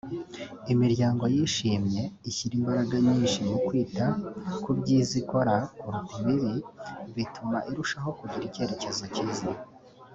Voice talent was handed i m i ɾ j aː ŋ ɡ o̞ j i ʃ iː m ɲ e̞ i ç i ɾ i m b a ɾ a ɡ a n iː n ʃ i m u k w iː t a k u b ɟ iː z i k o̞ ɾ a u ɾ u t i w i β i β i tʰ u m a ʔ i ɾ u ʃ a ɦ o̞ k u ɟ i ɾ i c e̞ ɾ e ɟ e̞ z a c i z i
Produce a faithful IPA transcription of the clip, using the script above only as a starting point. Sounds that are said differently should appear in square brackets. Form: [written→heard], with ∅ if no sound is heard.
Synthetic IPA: i m i ɾ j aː ŋ ɡ o̞ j i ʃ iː m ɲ e̞ i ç i ɾ i m b a ɾ a ɡ a [n→ɲ] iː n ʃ i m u k w iː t a k u b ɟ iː z i k o̞ ɾ a u ɾ u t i [w→β] i β i β i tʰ u m a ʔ i ɾ u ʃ a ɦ o̞ k u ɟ i ɾ i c e̞ ɾ e [ɟ→c] e̞ z a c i z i